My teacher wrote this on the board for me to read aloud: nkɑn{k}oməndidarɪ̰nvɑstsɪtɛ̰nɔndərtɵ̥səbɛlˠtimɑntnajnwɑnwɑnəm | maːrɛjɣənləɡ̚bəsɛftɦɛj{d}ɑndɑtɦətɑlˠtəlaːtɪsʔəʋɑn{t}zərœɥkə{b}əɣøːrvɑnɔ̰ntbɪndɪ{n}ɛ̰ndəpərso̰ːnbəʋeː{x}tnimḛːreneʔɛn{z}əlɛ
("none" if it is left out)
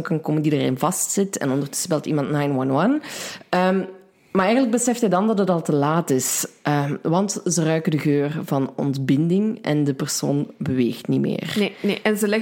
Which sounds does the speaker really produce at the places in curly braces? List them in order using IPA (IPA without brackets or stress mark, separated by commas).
k, d, t, d, ŋ, x, z